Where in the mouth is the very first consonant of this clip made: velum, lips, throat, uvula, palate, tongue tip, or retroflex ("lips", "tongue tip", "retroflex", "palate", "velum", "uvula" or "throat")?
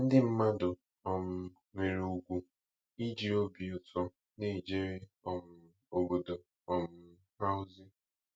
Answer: tongue tip